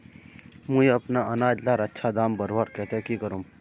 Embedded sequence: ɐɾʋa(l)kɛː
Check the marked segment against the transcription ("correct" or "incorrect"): incorrect